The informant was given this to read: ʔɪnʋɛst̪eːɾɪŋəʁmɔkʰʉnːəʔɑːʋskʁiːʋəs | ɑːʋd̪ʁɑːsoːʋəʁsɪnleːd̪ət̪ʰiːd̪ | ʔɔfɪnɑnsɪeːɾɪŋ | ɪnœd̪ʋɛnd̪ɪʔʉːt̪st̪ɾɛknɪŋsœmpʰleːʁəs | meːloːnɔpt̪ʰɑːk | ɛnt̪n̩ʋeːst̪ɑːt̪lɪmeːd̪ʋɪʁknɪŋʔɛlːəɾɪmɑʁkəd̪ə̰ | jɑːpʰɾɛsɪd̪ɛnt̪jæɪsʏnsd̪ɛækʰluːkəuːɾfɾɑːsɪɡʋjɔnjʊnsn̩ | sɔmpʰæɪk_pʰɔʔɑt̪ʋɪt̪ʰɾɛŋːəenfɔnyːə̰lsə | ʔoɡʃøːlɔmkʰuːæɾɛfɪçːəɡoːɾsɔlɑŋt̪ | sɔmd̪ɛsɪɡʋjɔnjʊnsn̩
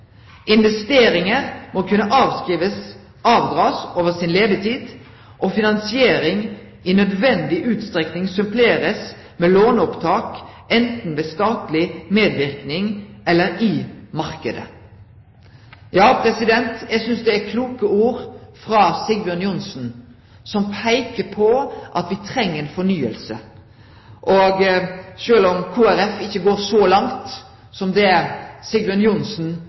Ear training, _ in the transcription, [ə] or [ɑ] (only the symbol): ə